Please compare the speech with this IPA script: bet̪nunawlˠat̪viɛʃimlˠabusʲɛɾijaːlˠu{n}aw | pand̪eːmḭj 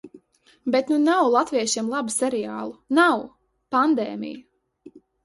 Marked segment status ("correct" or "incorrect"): correct